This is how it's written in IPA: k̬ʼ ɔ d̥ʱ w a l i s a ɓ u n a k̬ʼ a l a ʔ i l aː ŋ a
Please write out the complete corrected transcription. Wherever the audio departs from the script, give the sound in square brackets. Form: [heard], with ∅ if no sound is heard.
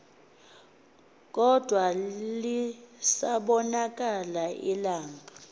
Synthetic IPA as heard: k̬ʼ ɔ d̥ʱ w a l i s a ɓ [ɔ] n a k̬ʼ a l a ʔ i l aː ŋ a

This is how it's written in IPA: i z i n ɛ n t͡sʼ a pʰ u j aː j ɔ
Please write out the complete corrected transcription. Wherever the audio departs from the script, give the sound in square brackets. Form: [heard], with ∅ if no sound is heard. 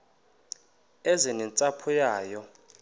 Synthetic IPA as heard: [ɛ] z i n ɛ n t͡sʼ a pʰ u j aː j ɔ

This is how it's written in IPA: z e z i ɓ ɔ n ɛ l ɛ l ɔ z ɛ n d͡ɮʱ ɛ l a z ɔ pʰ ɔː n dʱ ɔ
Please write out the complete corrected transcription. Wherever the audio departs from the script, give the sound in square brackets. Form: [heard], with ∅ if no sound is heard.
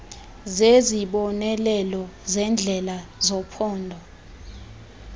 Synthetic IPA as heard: z e z i ɓ ɔ n ɛ l ɛ l ɔ z ɛ n d͡ɮʱ ɛ l a z ɔ pʰ ɔː n dʱ ɔ

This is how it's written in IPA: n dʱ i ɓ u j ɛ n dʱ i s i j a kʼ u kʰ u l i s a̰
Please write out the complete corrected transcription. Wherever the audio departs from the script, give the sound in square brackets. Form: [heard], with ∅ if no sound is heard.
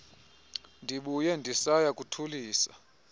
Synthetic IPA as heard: n dʱ i ɓ u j ɛ n dʱ i s [a] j a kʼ u [tʰ] u l [iː] s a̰

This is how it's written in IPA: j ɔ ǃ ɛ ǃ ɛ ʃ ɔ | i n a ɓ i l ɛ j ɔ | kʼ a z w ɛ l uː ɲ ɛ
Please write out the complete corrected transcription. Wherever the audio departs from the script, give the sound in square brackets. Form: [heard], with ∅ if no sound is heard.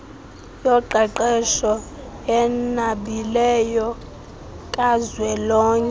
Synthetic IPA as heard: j ɔ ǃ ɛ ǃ ɛ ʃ ɔ | [ɛ] n a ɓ i l ɛ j ɔ | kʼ a z w ɛ l [ɔː] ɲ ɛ

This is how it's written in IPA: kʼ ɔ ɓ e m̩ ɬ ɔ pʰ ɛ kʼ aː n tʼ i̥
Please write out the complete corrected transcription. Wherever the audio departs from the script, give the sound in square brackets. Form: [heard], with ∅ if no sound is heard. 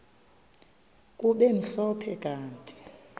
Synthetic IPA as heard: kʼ [u] ɓ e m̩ ɬ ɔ pʰ ɛ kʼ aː n tʼ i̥

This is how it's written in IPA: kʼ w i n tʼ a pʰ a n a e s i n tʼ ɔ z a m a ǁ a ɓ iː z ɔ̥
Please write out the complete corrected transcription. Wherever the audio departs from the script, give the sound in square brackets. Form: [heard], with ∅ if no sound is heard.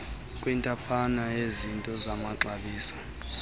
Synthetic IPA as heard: kʼ w i n tʼ a pʰ a n a e [z] i n tʼ ɔ z a m a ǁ a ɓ iː [s] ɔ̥

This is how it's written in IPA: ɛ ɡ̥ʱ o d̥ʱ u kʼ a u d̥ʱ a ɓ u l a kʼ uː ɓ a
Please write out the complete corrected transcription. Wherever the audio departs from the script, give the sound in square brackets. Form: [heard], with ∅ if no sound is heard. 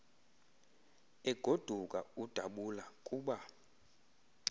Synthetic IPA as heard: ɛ ɡ̥ʱ o d̥ʱ u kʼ a u d̥ʱ a ɓ u l a kʼ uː ɓ a

